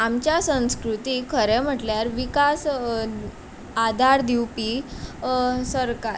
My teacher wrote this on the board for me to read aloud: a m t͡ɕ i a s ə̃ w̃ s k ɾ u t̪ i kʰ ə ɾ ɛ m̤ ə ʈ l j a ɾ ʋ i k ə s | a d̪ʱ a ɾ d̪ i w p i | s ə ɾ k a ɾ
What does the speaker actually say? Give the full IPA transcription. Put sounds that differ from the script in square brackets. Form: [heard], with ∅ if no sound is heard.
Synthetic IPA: a m t͡ɕ [j] a s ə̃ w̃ s k ɾ u t̪ i kʰ ə ɾ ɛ m̤ ə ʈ l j a ɾ ʋ i k [a] s | a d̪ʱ a ɾ d̪ i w p i | s ə ɾ k a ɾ